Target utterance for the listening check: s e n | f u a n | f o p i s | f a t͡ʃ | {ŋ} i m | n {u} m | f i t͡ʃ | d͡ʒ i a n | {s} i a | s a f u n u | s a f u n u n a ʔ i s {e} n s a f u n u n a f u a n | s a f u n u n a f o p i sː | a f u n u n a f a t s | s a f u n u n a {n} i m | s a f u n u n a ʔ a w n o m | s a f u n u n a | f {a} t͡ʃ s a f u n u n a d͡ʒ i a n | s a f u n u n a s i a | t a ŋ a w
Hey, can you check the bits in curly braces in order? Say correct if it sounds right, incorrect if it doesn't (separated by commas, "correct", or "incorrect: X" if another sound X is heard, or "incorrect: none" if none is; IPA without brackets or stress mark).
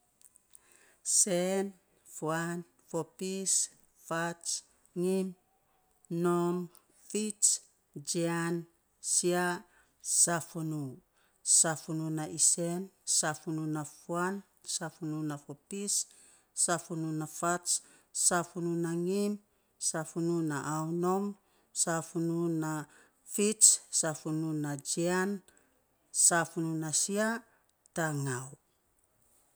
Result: correct, incorrect: o, correct, correct, incorrect: ŋ, incorrect: i